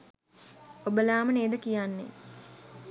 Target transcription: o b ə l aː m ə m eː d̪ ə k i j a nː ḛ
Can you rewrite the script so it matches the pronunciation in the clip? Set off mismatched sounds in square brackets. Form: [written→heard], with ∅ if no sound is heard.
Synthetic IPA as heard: o b ə l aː m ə [m→n] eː d̪ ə k i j a nː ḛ